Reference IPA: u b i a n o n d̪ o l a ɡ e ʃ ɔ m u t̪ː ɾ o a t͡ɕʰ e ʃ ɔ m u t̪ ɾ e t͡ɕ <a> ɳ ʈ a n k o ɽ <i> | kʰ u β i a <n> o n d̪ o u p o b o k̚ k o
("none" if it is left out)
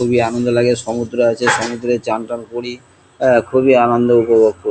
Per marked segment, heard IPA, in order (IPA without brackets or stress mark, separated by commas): a, i, n